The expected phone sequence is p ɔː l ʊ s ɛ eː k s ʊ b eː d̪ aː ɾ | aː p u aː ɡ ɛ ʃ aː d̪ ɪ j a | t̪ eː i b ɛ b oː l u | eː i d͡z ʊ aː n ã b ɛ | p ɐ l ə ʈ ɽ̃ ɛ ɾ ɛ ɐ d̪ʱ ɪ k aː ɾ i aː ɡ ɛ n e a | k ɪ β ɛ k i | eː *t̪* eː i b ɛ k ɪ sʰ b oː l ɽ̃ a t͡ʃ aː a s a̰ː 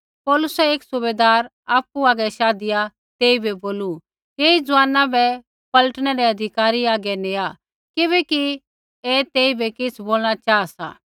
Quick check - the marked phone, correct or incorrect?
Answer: correct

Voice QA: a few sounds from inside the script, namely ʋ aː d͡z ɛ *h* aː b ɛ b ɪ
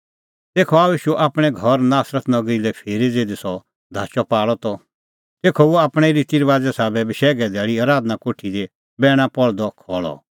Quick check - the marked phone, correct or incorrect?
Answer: incorrect: s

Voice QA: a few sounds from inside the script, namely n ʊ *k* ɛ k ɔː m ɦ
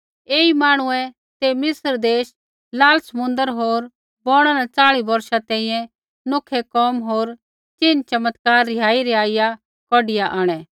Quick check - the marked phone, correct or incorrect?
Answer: incorrect: kʰ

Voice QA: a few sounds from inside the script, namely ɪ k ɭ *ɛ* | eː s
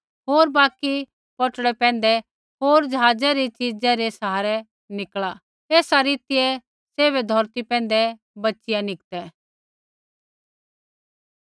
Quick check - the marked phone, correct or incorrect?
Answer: incorrect: a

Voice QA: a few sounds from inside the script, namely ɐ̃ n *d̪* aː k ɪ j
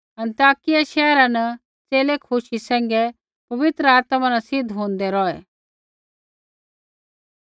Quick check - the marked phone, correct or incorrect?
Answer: incorrect: t̪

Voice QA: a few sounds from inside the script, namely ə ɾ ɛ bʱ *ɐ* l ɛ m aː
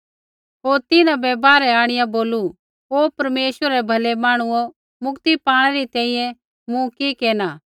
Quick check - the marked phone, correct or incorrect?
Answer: correct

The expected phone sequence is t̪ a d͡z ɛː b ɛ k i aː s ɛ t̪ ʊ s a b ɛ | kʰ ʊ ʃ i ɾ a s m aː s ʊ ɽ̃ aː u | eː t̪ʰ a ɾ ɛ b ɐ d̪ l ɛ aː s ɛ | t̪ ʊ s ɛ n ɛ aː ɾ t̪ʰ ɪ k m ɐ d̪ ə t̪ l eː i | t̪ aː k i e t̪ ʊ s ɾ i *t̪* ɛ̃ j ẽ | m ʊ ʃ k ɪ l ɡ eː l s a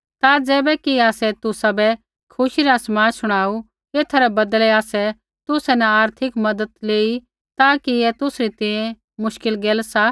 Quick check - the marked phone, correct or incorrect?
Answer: correct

